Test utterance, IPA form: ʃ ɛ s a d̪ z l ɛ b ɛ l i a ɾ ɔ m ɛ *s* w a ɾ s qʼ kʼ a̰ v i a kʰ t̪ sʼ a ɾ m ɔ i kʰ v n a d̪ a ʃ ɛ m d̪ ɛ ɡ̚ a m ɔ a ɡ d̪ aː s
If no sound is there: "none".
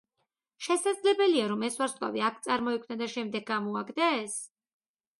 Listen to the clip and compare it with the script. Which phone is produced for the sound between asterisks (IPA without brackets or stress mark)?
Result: s